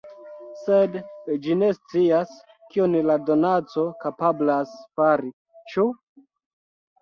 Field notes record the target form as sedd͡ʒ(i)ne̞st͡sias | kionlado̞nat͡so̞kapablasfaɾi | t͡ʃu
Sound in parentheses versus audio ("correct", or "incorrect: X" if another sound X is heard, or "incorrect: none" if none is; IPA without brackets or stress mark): correct